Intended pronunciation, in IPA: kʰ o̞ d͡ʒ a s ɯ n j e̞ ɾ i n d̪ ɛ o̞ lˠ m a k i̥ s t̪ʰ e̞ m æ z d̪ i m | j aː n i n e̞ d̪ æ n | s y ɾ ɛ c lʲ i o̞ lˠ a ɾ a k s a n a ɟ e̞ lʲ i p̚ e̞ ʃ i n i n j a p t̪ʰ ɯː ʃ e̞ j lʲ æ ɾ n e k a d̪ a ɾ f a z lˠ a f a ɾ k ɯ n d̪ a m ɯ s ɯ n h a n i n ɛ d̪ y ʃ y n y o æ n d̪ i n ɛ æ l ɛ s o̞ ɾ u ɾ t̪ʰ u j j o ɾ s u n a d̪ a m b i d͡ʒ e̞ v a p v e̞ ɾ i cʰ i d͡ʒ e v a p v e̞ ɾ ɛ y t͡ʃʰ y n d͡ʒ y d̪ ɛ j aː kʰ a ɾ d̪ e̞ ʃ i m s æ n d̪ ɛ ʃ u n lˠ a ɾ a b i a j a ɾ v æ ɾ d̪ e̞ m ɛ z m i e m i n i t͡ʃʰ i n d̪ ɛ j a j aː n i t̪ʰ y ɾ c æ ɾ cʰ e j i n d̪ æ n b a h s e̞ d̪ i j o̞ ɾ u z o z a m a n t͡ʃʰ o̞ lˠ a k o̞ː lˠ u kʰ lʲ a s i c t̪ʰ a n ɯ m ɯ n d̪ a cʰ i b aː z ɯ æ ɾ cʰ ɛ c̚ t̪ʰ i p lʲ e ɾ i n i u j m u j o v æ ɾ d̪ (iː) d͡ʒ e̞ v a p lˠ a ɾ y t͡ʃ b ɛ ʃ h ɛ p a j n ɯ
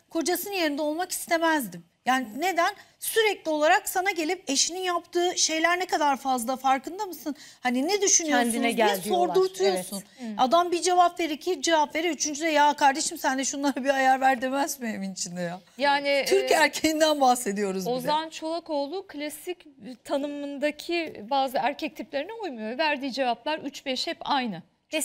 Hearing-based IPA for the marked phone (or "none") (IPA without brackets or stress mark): iː